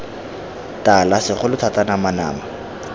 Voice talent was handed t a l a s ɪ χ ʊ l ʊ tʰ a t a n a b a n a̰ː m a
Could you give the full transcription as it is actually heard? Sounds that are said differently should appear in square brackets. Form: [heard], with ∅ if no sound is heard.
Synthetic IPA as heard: t a l a s ɪ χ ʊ l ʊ tʰ a t a n a [m] a n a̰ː m a